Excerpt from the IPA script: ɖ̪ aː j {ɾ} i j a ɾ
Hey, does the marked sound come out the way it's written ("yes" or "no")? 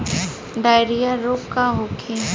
yes